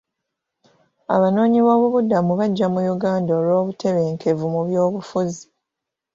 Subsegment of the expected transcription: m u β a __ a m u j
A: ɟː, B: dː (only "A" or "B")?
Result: A